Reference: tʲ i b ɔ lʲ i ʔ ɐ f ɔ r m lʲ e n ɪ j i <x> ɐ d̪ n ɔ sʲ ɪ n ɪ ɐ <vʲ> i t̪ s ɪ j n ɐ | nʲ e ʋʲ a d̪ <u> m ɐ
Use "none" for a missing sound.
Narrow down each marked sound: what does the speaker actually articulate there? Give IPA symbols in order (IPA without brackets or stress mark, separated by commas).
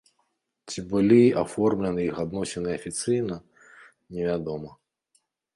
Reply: x, fʲ, ɔ